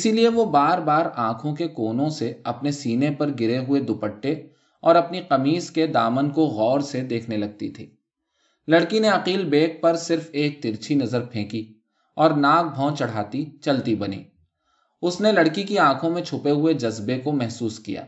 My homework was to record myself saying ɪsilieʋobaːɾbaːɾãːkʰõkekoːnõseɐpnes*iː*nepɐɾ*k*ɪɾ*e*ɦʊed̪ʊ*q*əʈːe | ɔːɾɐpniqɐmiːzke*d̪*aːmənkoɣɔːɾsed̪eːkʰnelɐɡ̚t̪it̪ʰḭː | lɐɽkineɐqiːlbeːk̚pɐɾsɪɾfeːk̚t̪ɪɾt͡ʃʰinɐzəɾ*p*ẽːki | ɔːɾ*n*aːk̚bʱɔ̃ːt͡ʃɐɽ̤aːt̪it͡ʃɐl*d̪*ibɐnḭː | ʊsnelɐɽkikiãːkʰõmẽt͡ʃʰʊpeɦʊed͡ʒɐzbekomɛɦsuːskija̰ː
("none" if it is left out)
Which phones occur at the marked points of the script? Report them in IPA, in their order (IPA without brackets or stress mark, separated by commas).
iː, ɡ, e, p, d̪, pʰ, n, t̪